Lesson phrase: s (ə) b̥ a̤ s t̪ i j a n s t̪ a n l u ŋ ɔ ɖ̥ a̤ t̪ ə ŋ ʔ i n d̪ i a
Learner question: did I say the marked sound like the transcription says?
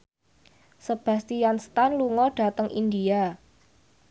yes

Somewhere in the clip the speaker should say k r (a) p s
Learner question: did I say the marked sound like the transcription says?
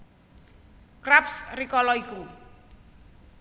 yes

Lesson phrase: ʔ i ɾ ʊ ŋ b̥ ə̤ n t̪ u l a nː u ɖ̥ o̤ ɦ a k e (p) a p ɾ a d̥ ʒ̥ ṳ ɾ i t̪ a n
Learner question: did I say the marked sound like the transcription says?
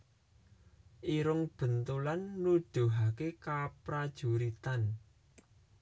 no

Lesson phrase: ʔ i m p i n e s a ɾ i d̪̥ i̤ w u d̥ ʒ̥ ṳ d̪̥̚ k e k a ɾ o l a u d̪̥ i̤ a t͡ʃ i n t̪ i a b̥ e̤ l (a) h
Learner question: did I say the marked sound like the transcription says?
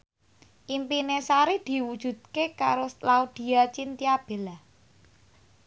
yes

